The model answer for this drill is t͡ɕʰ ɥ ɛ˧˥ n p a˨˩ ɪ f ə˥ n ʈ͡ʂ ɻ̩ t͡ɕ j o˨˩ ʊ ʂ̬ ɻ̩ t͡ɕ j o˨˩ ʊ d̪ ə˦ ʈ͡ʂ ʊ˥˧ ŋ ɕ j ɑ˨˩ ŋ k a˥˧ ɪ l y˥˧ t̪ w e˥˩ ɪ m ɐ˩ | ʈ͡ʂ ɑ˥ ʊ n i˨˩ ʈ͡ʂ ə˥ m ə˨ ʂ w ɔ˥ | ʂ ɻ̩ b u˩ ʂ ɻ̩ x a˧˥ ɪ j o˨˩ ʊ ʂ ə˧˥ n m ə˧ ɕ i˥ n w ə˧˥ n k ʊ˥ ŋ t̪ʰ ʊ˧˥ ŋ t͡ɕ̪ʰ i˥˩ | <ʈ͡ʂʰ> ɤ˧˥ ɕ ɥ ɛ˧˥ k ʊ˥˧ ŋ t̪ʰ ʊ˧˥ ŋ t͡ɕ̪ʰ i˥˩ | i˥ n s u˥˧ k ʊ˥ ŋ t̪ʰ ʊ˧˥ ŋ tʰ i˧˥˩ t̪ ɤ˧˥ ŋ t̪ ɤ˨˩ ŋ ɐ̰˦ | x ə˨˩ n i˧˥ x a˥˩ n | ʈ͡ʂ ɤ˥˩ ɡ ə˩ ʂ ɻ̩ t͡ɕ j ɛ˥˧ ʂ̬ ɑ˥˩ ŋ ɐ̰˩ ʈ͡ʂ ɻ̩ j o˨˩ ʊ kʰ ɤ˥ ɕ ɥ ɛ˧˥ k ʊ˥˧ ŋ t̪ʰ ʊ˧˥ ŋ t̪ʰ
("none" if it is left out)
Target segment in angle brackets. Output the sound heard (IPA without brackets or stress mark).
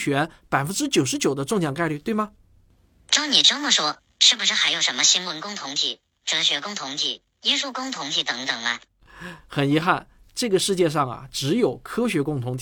ʈ͡ʂ